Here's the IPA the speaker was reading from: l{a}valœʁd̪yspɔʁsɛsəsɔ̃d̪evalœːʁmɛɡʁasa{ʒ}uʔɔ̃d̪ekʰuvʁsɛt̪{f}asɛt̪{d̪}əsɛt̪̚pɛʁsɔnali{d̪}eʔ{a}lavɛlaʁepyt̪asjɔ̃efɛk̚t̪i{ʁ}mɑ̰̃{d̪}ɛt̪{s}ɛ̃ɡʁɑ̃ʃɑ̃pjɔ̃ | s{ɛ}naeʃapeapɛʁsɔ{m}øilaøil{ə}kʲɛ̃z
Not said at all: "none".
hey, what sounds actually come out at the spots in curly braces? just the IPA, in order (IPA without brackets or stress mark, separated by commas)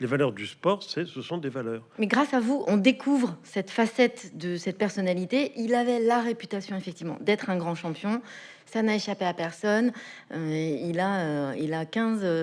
e, v, f, d̪, t̪, i, v, d̪, χ, a, n, a